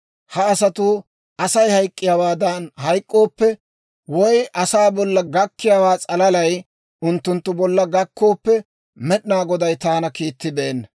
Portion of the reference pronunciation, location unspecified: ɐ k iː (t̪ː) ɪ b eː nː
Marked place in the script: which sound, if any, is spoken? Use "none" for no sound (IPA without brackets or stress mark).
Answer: t̪ː